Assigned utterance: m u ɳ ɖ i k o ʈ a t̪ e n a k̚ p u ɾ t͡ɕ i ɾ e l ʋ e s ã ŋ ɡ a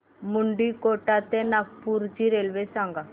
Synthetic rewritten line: m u ɳ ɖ i k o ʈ a t̪ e n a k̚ p u ɾ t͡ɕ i ɾ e l ʋ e s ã ŋ ɡ a